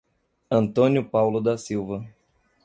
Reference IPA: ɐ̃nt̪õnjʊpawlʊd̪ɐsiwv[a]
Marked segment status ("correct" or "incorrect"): incorrect